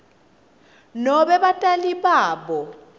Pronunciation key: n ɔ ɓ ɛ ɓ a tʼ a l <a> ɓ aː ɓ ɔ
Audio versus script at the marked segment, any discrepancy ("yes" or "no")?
yes